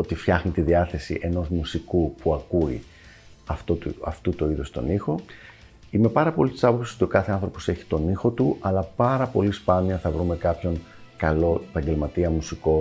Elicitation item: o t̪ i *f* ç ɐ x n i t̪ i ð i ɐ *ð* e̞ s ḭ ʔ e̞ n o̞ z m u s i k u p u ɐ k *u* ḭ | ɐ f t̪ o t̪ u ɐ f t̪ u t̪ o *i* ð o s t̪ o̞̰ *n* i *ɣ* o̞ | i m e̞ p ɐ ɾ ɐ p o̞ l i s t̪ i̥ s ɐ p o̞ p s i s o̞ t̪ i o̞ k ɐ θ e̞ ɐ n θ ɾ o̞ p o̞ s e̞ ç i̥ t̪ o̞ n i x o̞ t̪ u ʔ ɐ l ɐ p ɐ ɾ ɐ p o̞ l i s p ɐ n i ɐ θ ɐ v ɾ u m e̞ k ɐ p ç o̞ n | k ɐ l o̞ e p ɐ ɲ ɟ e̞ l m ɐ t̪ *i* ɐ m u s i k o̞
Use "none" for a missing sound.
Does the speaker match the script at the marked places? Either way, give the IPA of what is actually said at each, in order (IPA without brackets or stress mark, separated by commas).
f, θ, u, i, n, x, i